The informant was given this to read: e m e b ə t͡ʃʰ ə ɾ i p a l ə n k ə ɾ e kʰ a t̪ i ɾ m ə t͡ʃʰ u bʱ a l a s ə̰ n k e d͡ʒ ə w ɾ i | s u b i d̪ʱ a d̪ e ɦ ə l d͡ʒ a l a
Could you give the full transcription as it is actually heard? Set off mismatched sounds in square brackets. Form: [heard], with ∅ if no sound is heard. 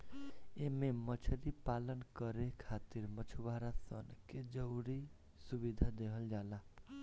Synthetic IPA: e m e [m] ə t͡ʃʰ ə ɾ i p a l ə n k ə ɾ e kʰ a t̪ i ɾ m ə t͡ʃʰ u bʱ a [ɾ] a s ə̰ n k e d͡ʒ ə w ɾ i | s u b i d̪ʱ a d̪ e ɦ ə l d͡ʒ a l a